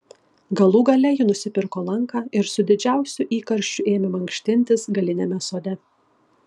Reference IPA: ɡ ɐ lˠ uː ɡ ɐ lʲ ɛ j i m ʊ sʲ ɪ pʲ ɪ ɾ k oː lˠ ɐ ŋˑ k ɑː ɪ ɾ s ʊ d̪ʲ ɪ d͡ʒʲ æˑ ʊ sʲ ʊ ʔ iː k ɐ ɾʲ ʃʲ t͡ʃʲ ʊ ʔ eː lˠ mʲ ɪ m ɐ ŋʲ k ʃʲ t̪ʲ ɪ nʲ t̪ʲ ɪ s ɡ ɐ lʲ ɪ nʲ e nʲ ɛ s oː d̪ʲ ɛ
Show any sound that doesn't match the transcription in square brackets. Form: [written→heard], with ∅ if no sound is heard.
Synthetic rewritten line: ɡ ɐ lˠ uː ɡ ɐ lʲ ɛ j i [m→n] ʊ sʲ ɪ pʲ ɪ ɾ k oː lˠ ɐ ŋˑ k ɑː ɪ ɾ s ʊ d̪ʲ ɪ d͡ʒʲ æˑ ʊ sʲ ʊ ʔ iː k ɐ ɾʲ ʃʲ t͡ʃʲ ʊ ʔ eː [lˠ→∅] mʲ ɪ m ɐ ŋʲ k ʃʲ t̪ʲ ɪ nʲ t̪ʲ ɪ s ɡ ɐ lʲ ɪ nʲ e [nʲ→mʲ] ɛ s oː d̪ʲ ɛ